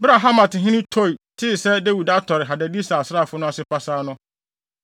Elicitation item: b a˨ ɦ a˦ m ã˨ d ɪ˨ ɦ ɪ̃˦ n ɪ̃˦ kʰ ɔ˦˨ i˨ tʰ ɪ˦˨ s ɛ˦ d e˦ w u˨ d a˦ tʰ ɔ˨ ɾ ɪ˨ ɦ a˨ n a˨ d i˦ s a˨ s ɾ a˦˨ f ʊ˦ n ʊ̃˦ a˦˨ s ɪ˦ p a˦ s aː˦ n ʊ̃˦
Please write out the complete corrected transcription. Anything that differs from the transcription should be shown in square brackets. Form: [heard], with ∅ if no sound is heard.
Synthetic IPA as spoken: b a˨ ɦ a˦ m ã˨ [t] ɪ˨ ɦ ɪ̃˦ n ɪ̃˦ [tʰ] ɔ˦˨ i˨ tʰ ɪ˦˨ s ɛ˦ d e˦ w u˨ d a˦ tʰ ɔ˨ ɾ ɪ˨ ɦ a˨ [d] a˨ d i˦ s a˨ s ɾ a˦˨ f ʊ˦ n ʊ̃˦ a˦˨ s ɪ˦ p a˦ s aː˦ n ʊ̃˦